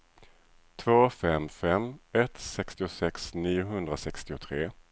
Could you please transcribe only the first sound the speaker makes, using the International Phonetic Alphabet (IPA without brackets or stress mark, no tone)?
t̪ʰ